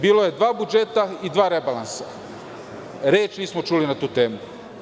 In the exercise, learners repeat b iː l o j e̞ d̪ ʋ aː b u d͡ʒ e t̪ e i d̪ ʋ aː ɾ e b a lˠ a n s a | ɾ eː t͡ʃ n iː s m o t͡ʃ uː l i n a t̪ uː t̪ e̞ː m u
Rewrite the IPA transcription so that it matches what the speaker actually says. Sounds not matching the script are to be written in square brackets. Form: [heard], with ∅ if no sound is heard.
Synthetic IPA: b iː l o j e̞ d̪ ʋ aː b u d͡ʒ e t̪ [a] i d̪ ʋ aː ɾ e b a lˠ a n s a | ɾ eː t͡ʃ n iː s m o t͡ʃ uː l i n a t̪ uː t̪ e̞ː m u